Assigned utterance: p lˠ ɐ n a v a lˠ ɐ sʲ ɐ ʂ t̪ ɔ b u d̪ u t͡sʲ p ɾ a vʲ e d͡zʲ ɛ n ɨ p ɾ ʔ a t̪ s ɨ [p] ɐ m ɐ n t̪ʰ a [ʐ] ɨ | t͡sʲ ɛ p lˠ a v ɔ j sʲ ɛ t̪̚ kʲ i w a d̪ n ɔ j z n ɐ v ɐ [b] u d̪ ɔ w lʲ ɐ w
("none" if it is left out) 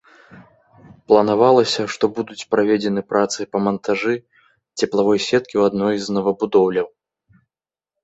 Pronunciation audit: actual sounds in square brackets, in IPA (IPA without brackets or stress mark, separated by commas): p, ʐ, b